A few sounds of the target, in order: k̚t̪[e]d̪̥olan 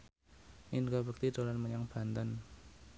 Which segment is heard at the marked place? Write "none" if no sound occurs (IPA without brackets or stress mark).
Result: i